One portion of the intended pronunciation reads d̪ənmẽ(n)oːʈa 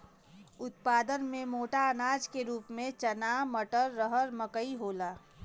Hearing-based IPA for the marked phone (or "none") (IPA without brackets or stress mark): m